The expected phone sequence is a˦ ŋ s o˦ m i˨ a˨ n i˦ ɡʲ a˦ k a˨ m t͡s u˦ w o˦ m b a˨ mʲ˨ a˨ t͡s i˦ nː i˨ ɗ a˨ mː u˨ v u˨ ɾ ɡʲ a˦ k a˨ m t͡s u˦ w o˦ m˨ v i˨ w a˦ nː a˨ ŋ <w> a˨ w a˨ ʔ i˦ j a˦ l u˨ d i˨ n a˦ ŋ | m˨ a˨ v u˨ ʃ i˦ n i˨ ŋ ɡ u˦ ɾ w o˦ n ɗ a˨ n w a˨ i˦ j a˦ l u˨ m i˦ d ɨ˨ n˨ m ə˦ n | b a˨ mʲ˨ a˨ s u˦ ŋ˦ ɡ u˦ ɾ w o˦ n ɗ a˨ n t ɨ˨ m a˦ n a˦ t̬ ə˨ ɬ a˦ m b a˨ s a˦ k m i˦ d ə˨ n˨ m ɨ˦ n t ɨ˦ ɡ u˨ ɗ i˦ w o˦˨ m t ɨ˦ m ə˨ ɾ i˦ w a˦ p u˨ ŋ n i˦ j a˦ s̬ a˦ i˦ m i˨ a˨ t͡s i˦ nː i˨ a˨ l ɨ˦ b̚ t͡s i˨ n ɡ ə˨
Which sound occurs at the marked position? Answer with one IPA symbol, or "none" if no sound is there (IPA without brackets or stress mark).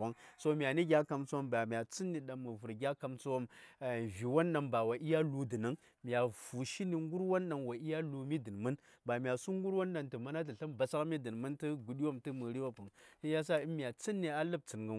b